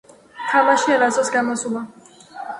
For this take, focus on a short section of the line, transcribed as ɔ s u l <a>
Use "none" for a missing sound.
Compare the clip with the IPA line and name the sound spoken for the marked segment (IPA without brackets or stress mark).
a